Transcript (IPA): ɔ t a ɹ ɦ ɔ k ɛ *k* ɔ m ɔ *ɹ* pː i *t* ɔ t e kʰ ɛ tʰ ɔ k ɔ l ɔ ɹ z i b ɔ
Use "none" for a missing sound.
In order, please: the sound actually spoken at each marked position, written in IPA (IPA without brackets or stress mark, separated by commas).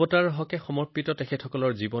x, ɹ, t